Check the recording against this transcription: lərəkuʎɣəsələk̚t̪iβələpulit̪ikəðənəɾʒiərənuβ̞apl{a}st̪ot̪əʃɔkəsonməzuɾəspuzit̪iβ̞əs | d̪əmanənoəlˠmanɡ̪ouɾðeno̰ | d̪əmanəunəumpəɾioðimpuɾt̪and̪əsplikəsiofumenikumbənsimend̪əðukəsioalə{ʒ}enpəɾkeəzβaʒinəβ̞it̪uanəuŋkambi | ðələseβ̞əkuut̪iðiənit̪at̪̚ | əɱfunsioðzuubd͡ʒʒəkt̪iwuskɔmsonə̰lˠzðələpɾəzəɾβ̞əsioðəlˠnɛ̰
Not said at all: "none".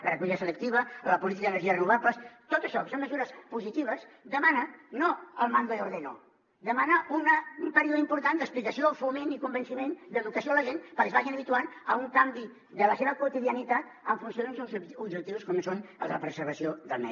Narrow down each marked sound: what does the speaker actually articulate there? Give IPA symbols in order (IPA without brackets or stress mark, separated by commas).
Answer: ə, ʒ